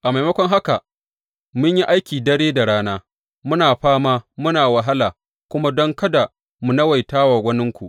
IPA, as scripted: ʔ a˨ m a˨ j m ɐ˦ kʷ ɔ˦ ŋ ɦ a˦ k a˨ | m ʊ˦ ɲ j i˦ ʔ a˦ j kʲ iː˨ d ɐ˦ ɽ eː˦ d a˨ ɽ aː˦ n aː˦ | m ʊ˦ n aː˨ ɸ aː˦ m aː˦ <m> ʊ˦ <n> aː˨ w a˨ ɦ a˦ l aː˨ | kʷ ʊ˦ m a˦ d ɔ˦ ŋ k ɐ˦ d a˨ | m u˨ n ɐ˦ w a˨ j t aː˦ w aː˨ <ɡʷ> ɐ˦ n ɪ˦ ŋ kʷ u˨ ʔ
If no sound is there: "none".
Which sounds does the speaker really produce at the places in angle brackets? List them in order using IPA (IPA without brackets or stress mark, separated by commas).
m, n, ɡʷ